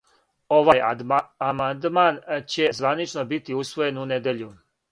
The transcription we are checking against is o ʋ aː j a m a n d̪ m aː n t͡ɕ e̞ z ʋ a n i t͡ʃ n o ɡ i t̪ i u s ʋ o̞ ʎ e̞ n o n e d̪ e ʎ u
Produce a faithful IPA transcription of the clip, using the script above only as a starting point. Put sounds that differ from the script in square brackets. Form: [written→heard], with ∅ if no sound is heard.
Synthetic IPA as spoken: o ʋ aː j a m a n d̪ m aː n t͡ɕ e̞ z ʋ a n i t͡ʃ n o [ɡ→b] i t̪ i u s ʋ o̞ [ʎ→j] e̞ n [o→u] n e d̪ e ʎ u